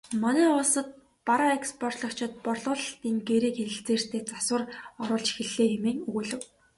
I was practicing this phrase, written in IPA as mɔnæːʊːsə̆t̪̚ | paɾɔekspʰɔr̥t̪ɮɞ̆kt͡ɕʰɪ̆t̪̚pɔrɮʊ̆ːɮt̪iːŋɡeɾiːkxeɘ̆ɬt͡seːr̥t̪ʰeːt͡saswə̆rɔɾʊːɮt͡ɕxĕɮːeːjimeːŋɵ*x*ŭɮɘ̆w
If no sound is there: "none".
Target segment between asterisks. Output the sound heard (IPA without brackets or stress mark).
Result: ɣ